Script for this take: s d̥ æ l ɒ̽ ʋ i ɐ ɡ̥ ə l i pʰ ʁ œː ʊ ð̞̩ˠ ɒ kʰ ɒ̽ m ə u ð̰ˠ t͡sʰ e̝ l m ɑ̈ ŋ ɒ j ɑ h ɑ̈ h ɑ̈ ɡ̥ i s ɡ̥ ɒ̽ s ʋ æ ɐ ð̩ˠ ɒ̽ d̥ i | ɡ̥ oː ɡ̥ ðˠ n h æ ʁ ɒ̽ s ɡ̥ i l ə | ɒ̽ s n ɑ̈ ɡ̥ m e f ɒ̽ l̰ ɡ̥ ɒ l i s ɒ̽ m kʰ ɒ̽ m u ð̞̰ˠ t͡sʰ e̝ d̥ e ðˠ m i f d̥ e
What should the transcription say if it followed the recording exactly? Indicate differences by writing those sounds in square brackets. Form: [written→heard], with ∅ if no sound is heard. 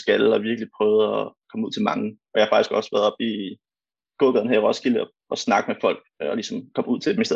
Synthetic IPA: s [d̥→ɡ̥] æ l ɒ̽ ʋ i ɐ ɡ̥ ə l i pʰ ʁ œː ʊ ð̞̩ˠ ɒ kʰ ɒ̽ m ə u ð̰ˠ t͡sʰ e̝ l m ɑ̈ ŋ ɒ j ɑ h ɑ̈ [h→f] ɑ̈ ɡ̥ i s ɡ̥ ɒ̽ s ʋ æ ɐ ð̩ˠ ɒ̽ [d̥→b̥] i | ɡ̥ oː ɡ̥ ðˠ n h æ ʁ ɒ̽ s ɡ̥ i l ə | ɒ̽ s n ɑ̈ ɡ̥ m e f ɒ̽ l̰ ɡ̥ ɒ l i s ɒ̽ m kʰ ɒ̽ m u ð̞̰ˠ t͡sʰ e̝ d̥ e [ðˠ→∅] m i [f→s] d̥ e